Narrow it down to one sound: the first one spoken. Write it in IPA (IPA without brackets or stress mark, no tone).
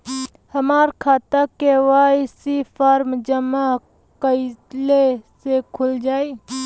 h